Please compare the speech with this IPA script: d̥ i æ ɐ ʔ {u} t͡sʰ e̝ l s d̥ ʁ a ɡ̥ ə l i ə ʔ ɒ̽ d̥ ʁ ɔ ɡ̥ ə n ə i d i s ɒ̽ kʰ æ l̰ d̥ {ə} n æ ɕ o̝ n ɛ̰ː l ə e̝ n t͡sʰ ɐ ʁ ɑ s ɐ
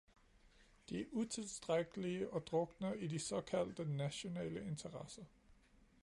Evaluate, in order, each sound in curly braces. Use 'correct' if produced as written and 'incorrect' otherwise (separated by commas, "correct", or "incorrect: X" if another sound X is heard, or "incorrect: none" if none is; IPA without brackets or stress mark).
correct, correct